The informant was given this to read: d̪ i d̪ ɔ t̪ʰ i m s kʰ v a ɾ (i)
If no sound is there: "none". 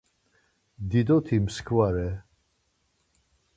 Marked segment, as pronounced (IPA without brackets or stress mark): ɛ